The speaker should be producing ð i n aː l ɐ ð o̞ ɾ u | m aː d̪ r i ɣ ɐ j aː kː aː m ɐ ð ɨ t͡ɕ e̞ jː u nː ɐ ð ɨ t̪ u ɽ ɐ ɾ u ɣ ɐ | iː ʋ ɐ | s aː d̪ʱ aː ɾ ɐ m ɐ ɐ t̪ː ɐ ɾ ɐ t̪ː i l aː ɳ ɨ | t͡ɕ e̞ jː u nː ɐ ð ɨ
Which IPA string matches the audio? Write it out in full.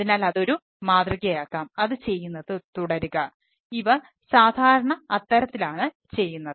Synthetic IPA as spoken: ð i n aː l ɐ ð o̞ ɾ u | m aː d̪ r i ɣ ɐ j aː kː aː m ɐ ð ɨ t͡ɕ e̞ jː u nː ɐ ð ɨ t̪ u ɽ ɐ ɾ u ɣ ɐ | i ʋ ɐ | s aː d̪ʱ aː ɾ ɐ ɳ ɐ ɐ t̪ː ɐ ɾ ɐ t̪ː i l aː ɳ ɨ | t͡ɕ e̞ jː u nː ɐ ð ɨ